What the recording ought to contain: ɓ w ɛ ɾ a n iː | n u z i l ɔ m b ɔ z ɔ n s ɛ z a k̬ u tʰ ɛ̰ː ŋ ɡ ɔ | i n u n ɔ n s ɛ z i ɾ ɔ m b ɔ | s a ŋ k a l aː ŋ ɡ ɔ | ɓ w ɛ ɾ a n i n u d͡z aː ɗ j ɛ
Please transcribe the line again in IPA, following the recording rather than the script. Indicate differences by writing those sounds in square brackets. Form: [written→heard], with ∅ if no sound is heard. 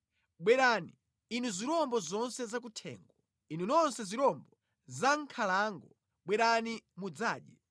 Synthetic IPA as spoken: ɓ w ɛ ɾ a n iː | n u z i [l→ɾ] ɔ m b ɔ z ɔ n s ɛ z a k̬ u tʰ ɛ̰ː ŋ ɡ ɔ | i n u n ɔ n s ɛ z i ɾ ɔ m b ɔ | [s→z] a ŋ [k→kʰ] a l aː ŋ ɡ ɔ | ɓ w ɛ ɾ a n i [n→m] u d͡z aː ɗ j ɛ